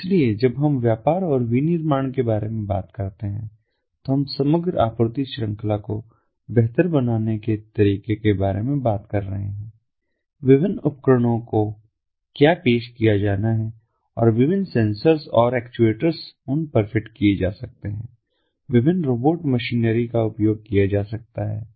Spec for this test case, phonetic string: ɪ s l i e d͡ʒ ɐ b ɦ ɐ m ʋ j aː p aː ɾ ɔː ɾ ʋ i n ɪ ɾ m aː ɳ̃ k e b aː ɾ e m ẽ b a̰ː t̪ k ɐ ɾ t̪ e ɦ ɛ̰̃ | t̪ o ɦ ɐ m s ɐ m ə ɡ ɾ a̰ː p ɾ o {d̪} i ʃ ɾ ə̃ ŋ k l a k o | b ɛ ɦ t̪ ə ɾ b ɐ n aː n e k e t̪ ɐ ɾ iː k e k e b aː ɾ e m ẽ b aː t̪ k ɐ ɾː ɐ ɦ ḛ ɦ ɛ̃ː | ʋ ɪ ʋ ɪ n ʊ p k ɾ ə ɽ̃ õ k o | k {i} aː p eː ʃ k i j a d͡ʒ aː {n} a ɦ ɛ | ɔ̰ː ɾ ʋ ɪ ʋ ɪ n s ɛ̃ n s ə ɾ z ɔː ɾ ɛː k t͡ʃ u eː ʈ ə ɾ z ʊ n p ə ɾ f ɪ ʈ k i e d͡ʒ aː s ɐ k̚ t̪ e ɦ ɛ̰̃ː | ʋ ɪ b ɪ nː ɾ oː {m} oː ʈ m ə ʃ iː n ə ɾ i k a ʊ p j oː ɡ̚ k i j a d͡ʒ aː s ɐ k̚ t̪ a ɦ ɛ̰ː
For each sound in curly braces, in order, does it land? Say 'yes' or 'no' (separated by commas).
no, no, yes, no